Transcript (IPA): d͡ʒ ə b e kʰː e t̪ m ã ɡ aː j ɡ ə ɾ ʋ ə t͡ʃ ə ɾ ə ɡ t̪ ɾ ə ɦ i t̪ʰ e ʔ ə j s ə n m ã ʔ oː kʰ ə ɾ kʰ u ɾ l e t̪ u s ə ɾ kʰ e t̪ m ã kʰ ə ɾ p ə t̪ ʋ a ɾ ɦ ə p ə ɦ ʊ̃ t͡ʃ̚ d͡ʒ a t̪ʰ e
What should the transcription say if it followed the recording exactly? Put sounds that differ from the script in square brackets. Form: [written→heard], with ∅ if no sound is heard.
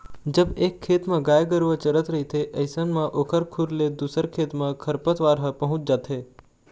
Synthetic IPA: d͡ʒ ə b e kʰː e t̪ m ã ɡ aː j ɡ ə ɾ ʋ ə t͡ʃ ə ɾ ə [ɡ→∅] t̪ ɾ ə ɦ i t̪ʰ e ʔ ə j s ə n m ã ʔ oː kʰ ə ɾ kʰ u ɾ l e [t̪→d̪] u s ə ɾ kʰ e t̪ m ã kʰ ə ɾ p ə t̪ ʋ a ɾ ɦ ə p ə ɦ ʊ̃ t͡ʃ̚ d͡ʒ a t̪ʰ e